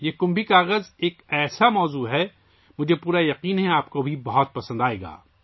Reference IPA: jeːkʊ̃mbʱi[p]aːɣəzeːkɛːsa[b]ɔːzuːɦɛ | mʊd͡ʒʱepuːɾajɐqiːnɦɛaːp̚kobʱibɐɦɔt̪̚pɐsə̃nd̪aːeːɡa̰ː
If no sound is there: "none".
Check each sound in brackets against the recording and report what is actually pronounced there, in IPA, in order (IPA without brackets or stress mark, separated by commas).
k, m